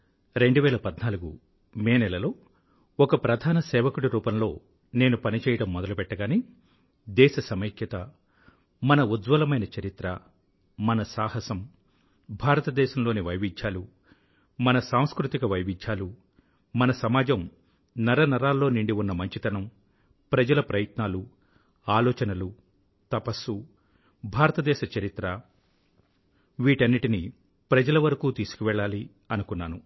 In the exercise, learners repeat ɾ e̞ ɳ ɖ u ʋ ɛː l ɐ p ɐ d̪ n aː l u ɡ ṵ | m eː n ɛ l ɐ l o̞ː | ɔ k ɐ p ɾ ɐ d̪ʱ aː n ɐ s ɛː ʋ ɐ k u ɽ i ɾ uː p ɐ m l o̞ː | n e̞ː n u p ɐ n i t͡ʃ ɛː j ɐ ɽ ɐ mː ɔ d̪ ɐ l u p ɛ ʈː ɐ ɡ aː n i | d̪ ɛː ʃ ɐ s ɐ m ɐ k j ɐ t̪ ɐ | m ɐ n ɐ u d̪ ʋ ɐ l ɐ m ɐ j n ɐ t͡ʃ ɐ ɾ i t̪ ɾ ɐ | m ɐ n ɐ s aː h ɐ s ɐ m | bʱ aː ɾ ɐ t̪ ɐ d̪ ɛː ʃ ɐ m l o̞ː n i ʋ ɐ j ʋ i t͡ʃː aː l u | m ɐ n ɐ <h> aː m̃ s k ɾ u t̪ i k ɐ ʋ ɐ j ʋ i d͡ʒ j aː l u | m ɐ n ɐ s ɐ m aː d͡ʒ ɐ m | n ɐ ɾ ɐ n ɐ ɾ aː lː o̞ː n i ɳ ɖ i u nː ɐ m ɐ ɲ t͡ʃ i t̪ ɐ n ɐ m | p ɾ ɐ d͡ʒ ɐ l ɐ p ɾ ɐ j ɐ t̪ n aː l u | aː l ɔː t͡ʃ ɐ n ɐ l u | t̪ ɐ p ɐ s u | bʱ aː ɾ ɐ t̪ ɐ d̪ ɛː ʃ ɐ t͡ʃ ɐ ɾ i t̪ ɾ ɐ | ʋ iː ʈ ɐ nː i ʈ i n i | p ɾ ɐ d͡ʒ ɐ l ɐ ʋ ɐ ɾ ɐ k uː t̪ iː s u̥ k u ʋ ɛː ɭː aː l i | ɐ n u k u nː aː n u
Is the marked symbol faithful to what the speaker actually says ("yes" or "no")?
no